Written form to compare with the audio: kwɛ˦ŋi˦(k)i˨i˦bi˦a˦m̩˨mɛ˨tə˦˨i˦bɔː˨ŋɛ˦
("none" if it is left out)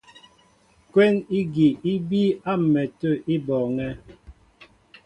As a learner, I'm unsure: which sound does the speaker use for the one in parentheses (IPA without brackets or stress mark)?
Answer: ɡ